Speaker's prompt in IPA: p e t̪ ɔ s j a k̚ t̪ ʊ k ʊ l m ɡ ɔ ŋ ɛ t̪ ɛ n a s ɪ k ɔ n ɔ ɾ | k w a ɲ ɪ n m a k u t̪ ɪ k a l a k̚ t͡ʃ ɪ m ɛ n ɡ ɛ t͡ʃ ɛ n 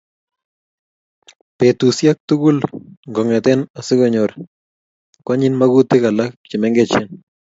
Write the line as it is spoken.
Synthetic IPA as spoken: p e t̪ u s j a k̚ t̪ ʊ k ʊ l ŋ ɡ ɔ ŋ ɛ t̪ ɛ n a s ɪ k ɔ ɲ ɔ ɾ | k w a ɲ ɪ n m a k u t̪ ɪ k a l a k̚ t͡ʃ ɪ m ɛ ŋ ɡ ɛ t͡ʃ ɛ n